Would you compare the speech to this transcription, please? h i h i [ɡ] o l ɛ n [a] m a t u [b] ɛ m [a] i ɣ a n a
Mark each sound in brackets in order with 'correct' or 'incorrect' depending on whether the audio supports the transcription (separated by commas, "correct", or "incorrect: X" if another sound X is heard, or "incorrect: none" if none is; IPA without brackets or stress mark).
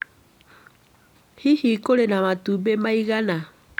incorrect: k, correct, correct, correct